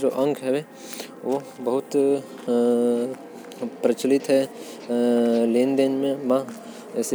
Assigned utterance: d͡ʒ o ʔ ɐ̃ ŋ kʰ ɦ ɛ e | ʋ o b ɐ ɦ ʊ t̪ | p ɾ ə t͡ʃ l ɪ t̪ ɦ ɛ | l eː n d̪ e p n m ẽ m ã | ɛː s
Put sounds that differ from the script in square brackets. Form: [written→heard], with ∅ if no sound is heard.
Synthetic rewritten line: d͡ʒ o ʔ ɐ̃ ŋ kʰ ɦ ɛ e | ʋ o b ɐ ɦ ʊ t̪ | p ɾ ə t͡ʃ l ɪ t̪ ɦ ɛ | l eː n d̪ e [p→∅] n m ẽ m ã | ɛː s